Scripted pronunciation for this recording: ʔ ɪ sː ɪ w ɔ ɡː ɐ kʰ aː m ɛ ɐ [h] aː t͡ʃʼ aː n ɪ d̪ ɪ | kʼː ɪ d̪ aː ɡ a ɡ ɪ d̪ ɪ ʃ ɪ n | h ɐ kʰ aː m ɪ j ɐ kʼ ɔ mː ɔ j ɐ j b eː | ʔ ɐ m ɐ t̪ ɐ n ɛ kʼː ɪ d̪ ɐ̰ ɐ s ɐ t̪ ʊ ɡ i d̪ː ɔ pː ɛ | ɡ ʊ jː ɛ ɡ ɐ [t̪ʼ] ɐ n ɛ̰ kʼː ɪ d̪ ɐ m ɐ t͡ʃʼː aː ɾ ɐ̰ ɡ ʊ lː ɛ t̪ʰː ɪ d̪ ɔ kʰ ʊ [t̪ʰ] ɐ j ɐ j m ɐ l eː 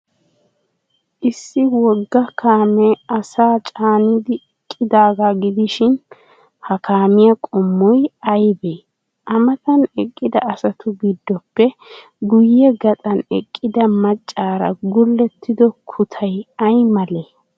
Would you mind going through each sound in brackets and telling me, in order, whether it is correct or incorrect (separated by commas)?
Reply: incorrect, correct, correct